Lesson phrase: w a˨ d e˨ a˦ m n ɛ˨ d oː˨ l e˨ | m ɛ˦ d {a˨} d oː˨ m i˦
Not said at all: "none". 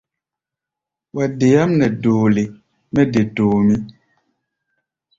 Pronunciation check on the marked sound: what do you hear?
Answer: e˨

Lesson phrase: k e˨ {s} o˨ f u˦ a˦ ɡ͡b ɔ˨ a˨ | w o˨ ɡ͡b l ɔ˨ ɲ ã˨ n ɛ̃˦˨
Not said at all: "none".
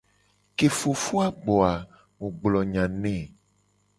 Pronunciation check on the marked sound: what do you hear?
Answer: f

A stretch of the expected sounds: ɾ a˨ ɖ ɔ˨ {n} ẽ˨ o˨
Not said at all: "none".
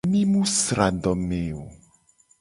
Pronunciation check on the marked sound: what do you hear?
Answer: m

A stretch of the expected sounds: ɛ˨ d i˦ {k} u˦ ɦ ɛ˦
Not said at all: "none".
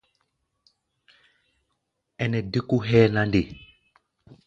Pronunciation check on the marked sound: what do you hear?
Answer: k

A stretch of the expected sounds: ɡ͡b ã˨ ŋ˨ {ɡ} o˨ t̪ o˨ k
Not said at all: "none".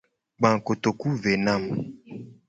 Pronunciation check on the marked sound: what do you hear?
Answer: k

